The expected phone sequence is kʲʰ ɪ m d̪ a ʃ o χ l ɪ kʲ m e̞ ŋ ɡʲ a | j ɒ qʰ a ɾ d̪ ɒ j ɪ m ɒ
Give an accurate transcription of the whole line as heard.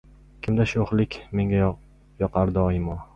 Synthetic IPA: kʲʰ ɪ m d̪ a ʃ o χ l ɪ kʲ m e̞ ŋ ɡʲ a | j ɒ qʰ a ɾ d̪ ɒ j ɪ m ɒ